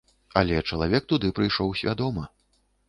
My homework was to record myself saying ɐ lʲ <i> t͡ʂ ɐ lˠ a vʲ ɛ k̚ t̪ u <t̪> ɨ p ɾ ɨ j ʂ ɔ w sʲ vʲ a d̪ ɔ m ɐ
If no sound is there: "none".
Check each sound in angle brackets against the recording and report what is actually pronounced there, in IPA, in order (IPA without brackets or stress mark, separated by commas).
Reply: ɛ, d̪